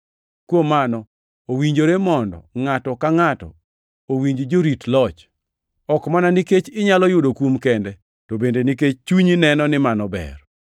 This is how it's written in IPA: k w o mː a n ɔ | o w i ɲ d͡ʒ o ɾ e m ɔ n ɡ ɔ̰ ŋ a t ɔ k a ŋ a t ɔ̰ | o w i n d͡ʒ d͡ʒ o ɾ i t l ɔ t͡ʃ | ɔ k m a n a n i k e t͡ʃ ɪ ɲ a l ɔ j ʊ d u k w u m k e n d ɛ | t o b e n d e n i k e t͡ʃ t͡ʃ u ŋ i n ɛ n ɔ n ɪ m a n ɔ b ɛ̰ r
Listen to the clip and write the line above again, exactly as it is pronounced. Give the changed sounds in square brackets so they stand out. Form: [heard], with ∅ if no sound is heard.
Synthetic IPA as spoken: k w o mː a n ɔ | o w i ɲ d͡ʒ o ɾ e m ɔ n [d] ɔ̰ ŋ a t ɔ k a ŋ a t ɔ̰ | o w i [ɲ] d͡ʒ d͡ʒ o ɾ i t l ɔ t͡ʃ | ɔ k m a n a n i k e t͡ʃ ɪ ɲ a l ɔ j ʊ d [o] k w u m k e n d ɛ | t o b e n d e n i k e t͡ʃ t͡ʃ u [ɲ] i n ɛ n ɔ n ɪ m a n ɔ b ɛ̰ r